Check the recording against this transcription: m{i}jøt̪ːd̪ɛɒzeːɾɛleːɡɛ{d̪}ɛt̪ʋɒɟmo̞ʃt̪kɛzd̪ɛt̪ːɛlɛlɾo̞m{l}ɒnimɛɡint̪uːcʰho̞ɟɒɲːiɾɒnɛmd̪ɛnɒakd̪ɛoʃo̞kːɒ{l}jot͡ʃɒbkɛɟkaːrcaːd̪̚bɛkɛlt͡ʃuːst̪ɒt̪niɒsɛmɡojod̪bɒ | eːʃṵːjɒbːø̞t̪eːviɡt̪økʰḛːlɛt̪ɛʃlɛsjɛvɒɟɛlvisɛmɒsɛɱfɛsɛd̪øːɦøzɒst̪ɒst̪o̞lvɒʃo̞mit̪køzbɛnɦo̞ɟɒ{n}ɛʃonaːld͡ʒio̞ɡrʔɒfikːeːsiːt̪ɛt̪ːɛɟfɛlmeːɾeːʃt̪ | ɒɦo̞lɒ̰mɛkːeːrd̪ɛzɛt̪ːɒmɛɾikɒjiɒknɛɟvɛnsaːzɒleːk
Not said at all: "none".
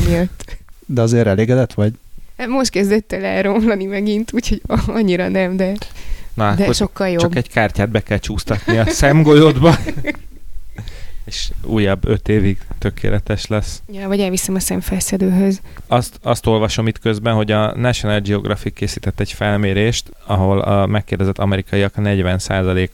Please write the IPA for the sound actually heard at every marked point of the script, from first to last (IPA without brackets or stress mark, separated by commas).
i, d̪, l, l, n